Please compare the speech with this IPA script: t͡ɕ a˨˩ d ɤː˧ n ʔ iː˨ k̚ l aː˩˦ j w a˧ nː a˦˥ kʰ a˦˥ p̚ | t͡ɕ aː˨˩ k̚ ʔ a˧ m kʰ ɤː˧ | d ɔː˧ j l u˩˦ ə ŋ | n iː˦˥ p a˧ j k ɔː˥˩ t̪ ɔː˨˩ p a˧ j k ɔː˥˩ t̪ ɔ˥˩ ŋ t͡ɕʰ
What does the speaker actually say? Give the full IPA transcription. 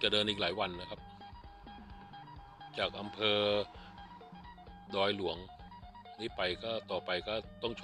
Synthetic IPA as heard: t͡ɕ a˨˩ d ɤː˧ n ʔ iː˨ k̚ l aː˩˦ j w a˧ nː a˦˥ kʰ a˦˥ p̚ | t͡ɕ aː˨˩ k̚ ʔ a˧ m pʰ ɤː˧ | d ɔː˧ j l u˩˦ ə ŋ | n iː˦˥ p a˧ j k ɔː˥˩ t̪ ɔː˨˩ p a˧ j k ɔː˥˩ t̪ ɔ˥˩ ŋ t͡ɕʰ

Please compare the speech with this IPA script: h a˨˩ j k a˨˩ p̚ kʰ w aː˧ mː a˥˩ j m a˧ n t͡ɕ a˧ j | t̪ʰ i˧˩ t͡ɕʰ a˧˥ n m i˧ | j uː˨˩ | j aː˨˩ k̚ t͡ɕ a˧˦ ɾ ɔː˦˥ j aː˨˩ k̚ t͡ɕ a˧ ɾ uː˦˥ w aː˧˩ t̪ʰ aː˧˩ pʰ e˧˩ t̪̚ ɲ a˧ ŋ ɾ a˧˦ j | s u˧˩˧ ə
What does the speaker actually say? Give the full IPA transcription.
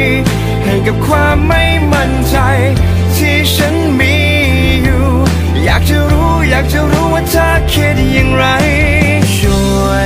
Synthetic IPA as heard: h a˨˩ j k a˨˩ p̚ kʰ w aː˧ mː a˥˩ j m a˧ n t͡ɕ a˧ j | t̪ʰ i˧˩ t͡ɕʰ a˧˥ n m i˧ | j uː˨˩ | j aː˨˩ k̚ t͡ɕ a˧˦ ɾ uː˦˥ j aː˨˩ k̚ t͡ɕ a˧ ɾ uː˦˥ w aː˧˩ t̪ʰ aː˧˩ kʰ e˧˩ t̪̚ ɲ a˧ ŋ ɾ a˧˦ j | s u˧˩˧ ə

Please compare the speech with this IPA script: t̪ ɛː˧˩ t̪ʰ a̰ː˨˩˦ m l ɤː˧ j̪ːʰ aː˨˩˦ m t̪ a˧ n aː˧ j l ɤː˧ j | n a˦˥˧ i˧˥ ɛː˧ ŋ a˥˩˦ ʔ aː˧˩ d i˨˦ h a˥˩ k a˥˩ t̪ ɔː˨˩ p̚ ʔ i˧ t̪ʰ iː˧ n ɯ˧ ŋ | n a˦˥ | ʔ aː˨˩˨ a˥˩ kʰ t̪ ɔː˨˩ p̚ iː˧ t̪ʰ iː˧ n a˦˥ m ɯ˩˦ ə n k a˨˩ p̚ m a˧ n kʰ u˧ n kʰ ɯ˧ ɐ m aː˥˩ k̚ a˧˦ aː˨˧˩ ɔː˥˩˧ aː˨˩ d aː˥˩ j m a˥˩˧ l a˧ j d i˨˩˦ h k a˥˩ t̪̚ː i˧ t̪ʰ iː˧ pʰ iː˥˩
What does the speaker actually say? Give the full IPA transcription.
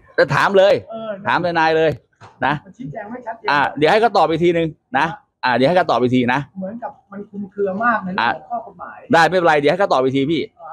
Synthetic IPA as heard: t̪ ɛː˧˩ t̪ʰ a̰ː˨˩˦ m l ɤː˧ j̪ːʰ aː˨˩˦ m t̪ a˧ n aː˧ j l ɤː˧ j | n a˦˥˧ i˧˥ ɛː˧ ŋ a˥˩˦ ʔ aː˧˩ d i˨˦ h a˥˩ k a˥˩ t̪ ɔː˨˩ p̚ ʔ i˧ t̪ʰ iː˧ n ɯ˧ ŋ | n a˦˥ | ʔ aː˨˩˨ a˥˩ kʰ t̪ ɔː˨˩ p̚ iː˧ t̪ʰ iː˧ n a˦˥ m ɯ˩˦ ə n k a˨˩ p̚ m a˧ n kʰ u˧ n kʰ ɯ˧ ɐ m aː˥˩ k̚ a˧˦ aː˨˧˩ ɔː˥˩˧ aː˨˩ d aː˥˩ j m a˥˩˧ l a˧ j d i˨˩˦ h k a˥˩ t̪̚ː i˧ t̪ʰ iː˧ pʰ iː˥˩

